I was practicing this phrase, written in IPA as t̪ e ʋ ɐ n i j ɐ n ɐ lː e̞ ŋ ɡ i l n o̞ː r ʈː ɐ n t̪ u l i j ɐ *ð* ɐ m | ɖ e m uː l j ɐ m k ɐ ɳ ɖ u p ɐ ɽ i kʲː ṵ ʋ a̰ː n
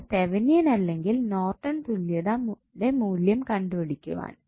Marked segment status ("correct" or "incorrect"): correct